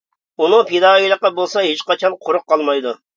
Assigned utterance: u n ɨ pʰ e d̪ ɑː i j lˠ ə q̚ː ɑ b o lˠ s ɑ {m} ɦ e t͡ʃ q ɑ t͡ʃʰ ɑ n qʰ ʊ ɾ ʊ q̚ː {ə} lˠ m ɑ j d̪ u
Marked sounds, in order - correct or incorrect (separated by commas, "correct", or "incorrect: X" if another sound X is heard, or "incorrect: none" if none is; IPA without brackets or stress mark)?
incorrect: none, incorrect: ɑ